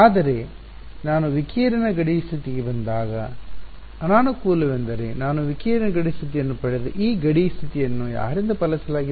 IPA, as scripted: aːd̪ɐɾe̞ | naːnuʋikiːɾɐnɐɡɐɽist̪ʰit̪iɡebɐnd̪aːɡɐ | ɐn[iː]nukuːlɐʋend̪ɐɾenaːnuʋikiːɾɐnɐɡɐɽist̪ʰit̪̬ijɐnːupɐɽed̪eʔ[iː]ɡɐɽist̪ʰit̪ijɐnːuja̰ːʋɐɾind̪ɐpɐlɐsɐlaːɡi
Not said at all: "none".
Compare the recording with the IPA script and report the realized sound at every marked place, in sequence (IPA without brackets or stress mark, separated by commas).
aː, iː